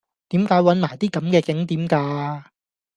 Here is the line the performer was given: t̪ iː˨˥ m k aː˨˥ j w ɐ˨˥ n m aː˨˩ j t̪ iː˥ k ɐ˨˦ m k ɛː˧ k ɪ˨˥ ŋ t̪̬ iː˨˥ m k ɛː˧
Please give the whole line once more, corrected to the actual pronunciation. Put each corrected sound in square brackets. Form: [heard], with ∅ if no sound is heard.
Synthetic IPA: t̪ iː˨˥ m k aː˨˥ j w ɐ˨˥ n m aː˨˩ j t̪ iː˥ k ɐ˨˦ m k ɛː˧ k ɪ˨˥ ŋ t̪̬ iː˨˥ m k [aː˧]